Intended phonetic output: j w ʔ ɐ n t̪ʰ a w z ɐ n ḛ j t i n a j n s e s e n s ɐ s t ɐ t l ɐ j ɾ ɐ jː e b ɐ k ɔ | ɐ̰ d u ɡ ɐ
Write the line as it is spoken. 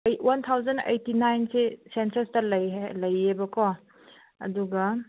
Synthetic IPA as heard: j w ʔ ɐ n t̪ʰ a w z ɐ n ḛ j t i n a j n s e s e n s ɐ s t ɐ l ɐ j l ɐ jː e b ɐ k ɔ | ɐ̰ d u ɡ ɐ

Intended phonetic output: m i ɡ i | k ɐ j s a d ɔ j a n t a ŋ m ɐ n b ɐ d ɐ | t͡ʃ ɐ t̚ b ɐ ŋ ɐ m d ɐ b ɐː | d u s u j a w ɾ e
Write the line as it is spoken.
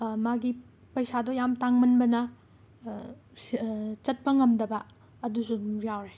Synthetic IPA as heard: m a ɡ i | p ɐ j s a d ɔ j a m t a ŋ m ɐ n b ɐ n ɐ | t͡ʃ ɐ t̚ p ɐ ŋ ɐ m d ɐ b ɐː | d u s u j a w ɾ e

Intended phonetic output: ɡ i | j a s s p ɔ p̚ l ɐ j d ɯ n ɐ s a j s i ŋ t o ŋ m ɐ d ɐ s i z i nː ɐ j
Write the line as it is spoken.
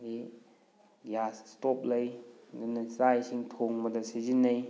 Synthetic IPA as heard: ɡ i | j a s s t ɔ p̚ l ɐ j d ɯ n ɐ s a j s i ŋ tʰ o ŋ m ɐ d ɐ s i z i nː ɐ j

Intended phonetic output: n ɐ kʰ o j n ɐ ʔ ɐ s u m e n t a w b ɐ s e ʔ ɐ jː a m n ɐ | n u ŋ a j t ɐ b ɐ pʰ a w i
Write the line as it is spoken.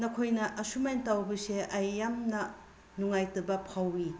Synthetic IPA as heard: n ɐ kʰ o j n ɐ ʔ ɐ s u m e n t a w b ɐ s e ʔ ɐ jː a m n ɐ | n u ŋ a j t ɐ b ɐ pʰ a w i

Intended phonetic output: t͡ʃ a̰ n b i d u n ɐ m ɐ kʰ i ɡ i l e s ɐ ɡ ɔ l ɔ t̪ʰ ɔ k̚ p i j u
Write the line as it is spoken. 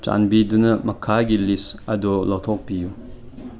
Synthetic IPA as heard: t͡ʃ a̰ n b i d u n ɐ m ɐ kʰ a ɡ i l i s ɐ d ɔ l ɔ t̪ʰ ɔ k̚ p i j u

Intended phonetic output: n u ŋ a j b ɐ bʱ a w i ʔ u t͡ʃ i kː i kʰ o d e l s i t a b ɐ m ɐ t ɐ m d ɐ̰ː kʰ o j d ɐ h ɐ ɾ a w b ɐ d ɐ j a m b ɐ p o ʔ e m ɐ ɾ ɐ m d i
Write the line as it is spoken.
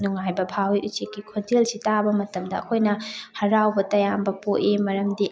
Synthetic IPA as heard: n u ŋ a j b ɐ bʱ a w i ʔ u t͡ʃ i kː i kʰ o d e l s i t a b ɐ m ɐ t ɐ m d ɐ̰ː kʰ o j n ɐ h ɐ ɾ a w b ɐ t ɐ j a m b ɐ p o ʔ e m ɐ ɾ ɐ m d i

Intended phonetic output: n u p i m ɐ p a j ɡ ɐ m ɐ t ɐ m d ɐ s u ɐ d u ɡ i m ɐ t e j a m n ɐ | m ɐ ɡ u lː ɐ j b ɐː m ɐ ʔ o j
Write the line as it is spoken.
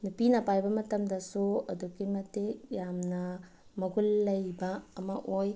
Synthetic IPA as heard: n u p i n ɐ p a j b ɐ m ɐ t ɐ m d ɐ s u ɐ d u ɡ i m ɐ t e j a m n ɐ | m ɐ ɡ u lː ɐ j b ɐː m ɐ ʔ o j

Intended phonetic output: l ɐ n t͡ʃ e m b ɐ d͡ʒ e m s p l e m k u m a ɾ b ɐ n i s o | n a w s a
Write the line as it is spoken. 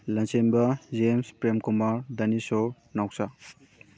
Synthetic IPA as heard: l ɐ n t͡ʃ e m b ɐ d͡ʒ e m s p ɾ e m k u m a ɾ d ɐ n i s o | n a w s a

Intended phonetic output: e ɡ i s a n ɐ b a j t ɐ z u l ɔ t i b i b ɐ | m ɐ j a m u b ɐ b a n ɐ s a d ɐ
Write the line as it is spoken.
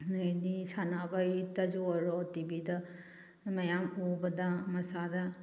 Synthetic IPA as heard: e d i s a n a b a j t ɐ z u ɾ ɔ t i b i d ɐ | m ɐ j a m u b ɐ d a m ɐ s a d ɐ

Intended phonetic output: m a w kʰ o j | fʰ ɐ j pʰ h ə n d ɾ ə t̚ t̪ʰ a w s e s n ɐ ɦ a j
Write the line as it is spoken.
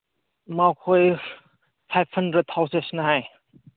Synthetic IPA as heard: m a w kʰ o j | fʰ a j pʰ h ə n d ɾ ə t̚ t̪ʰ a w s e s n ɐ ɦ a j

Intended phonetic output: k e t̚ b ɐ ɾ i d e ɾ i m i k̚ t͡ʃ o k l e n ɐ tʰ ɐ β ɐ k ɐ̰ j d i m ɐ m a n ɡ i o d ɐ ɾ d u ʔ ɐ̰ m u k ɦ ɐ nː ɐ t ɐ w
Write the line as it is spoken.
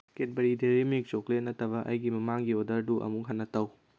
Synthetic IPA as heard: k e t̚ b ɐ ɾ i d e ɾ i m i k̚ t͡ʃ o k l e n ɐ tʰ ɐ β ɐ ʔ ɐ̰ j ɡ i m ɐ m a ŋ ɡ i o d ɐ ɾ d u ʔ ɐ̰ m u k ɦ ɐ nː ɐ t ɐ w

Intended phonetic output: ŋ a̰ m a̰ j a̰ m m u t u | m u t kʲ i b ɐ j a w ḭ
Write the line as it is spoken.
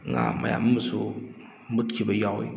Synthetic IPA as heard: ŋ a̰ m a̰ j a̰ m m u s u | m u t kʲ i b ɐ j a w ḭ

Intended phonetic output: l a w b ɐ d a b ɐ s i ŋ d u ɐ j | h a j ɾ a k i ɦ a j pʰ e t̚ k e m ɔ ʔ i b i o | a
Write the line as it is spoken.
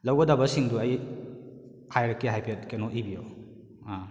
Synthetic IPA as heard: l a w ɡ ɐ d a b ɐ s i ŋ d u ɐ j | h a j ɾ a k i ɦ a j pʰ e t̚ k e n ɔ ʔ i b i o | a

